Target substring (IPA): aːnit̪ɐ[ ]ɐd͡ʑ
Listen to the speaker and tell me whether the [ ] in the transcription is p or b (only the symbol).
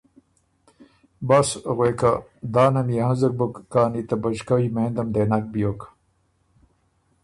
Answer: b